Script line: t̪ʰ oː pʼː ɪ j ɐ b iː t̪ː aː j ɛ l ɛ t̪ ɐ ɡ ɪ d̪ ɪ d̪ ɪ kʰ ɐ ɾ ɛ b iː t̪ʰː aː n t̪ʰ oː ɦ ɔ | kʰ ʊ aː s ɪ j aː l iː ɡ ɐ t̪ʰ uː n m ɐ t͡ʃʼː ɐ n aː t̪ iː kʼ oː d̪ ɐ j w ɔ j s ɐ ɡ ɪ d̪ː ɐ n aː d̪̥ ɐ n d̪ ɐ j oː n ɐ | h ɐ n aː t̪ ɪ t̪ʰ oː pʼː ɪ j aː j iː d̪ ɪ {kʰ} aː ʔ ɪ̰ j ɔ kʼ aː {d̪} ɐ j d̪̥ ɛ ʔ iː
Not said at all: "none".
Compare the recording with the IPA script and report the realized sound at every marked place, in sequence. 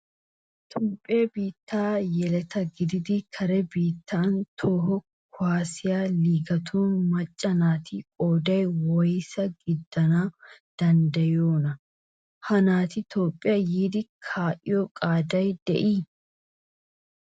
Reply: kʰ, d̪

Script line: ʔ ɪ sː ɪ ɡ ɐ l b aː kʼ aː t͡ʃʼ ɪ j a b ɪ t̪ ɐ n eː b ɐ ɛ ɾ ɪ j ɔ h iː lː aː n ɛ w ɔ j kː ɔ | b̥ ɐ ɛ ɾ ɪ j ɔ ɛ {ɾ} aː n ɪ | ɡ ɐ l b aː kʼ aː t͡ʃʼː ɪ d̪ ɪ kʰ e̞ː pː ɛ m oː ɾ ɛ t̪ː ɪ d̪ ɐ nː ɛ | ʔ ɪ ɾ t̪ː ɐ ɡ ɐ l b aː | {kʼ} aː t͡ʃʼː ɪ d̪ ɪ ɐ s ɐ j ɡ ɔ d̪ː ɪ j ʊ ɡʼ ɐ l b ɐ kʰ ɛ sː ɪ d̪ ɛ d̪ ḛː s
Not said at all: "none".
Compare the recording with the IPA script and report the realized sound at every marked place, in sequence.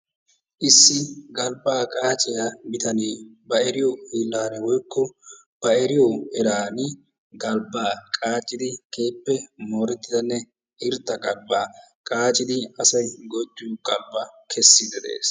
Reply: ɾ, kʼ

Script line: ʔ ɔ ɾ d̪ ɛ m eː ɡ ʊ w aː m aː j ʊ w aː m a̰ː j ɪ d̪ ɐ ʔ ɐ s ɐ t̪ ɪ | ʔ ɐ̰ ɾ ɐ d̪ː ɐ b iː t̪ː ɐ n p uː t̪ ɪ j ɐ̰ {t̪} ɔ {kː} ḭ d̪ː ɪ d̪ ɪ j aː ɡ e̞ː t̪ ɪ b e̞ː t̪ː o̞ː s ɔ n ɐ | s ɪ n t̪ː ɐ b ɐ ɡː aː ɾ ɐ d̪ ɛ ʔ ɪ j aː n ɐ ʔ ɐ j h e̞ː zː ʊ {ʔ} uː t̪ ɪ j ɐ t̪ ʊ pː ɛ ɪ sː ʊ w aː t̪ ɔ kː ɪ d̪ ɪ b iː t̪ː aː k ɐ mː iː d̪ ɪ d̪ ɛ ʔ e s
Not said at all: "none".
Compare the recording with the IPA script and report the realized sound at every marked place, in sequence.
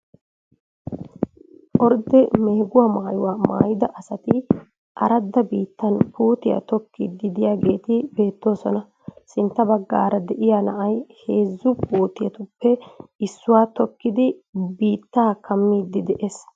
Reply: t̪, kː, p

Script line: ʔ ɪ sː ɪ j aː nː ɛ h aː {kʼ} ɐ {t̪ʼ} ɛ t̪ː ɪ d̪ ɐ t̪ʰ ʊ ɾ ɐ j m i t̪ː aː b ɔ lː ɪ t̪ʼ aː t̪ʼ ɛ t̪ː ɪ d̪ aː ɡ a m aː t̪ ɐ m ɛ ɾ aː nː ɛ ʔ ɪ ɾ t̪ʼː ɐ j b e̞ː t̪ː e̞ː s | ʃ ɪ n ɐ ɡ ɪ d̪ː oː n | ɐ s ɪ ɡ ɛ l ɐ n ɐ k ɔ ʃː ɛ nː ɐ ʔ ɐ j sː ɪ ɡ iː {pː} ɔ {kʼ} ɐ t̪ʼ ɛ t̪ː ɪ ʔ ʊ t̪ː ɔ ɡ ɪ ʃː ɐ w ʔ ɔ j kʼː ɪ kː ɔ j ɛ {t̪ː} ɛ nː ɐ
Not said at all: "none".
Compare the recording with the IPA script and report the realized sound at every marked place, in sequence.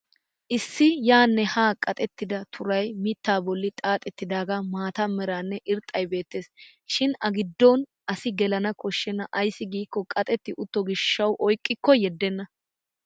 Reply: kʼ, t̪ʼ, kː, kʼ, d̪ː

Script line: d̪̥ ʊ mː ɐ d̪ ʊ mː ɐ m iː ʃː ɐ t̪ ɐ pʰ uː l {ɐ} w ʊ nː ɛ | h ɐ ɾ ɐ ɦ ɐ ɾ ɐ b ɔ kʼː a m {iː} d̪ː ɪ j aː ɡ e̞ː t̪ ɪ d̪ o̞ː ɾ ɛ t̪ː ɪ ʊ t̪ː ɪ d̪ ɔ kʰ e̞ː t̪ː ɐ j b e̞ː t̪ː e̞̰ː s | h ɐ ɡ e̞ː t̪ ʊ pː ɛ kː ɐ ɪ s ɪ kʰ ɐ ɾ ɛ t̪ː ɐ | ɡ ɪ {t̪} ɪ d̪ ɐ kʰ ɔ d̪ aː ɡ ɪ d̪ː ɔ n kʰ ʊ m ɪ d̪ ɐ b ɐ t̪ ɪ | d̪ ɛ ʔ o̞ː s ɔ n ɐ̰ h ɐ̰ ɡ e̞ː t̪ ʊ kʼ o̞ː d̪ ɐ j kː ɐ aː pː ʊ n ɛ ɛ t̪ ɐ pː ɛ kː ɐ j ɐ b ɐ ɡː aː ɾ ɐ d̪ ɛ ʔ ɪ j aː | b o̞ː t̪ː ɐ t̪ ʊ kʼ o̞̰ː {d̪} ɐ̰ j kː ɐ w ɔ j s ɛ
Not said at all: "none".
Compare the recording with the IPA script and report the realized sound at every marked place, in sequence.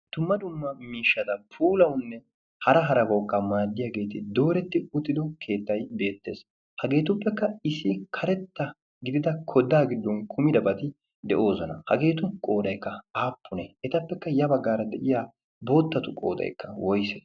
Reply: ɐ, aː, d̪, d̪

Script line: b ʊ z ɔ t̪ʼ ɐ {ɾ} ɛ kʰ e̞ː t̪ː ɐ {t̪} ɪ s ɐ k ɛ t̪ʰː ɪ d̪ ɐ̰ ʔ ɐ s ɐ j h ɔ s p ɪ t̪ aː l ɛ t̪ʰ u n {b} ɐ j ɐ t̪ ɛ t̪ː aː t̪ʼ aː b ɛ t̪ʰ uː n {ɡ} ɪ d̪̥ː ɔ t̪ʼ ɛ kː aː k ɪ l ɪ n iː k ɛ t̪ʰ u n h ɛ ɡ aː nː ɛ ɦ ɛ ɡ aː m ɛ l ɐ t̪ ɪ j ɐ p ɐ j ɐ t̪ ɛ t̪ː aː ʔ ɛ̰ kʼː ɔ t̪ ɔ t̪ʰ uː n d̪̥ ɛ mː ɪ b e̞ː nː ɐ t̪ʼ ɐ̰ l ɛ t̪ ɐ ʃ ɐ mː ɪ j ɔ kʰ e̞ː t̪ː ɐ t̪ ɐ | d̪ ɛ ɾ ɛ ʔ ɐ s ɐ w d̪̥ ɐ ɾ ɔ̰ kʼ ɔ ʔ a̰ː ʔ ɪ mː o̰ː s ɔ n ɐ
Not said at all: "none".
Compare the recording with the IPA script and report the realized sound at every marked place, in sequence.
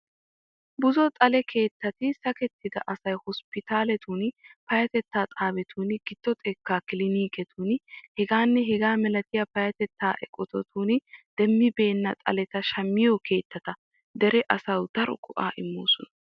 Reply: l, t̪, p, ɡ

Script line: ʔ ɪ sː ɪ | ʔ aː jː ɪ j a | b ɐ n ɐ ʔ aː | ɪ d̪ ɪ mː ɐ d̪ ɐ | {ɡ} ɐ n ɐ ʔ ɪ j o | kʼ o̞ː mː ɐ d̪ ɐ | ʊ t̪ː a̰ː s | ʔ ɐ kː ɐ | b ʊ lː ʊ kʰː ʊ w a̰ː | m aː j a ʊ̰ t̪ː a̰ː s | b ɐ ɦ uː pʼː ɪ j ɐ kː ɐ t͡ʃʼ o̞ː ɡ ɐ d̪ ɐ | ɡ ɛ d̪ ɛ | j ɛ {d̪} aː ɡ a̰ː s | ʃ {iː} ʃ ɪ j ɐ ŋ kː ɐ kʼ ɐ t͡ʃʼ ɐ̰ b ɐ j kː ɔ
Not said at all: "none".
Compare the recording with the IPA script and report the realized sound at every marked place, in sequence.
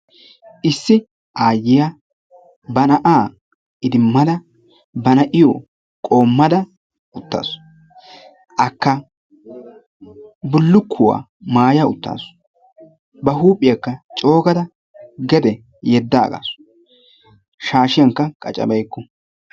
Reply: b, d̪ː, aː

